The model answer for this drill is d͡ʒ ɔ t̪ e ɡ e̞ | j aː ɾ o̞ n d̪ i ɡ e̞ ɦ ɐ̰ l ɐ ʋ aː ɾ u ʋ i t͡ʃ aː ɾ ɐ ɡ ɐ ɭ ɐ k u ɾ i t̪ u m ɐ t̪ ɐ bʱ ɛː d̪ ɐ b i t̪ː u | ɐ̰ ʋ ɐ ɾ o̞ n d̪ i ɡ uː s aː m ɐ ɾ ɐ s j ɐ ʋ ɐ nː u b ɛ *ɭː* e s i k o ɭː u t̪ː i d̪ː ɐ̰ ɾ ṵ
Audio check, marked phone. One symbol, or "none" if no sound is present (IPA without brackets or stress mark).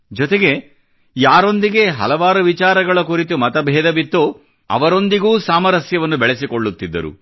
ɭ